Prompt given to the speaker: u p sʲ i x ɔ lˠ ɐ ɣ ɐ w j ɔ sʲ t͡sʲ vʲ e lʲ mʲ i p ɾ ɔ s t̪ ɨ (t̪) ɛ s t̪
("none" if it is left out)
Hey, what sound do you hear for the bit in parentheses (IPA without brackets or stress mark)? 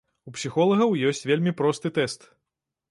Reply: t̪